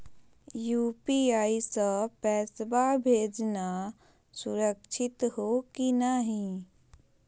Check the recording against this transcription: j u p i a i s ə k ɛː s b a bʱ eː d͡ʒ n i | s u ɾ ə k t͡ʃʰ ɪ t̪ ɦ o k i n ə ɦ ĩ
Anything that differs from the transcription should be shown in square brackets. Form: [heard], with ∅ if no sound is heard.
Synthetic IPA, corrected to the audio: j u p i a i s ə [p] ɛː s b a bʱ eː d͡ʒ n [a] | s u ɾ ə k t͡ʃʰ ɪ t̪ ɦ o k i n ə ɦ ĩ